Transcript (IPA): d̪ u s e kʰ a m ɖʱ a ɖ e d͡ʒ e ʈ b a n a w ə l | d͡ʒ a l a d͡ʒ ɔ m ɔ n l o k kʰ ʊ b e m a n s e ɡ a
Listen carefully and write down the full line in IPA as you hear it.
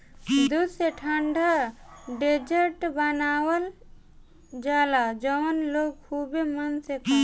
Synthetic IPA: d̪ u s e ʈʰ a ɳ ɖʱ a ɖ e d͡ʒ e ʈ b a n a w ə l | d͡ʒ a l a d͡ʒ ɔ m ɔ n l o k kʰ u b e m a n s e k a